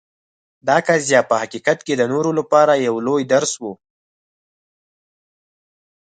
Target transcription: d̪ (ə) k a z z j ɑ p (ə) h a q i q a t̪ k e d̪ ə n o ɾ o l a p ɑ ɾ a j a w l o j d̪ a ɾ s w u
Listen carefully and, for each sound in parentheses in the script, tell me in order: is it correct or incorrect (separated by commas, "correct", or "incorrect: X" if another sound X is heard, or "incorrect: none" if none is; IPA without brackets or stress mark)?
incorrect: ɑ, correct